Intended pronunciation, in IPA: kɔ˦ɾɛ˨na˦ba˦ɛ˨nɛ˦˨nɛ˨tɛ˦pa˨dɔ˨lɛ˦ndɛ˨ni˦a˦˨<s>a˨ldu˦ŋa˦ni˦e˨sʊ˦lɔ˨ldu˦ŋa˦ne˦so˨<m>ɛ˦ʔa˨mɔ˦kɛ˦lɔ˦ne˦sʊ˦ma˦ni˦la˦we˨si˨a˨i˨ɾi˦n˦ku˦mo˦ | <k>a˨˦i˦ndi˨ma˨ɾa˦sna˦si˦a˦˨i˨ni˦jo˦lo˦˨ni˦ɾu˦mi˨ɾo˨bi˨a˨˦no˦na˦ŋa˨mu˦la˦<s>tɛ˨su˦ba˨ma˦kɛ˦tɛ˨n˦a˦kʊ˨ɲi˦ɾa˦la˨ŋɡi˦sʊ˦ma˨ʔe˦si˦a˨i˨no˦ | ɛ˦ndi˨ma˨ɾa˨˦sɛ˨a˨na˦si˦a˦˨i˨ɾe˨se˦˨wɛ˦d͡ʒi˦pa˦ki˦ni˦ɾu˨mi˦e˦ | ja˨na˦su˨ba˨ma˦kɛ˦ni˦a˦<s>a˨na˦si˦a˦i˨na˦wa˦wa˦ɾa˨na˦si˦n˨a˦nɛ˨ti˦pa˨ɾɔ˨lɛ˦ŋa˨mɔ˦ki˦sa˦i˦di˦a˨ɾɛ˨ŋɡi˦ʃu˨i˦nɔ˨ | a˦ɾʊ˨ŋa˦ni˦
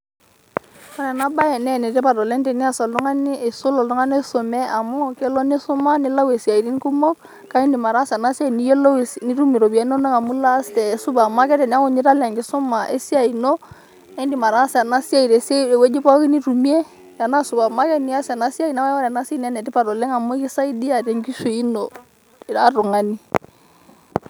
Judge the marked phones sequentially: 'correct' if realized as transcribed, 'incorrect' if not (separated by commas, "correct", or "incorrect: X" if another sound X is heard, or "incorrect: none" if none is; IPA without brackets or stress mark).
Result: correct, correct, correct, correct, correct